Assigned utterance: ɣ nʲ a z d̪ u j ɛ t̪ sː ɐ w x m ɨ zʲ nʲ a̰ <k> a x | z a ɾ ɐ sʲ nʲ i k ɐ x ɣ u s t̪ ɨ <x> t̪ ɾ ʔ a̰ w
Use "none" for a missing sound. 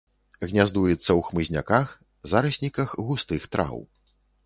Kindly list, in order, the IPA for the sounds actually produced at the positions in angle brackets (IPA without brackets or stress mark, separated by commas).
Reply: k, x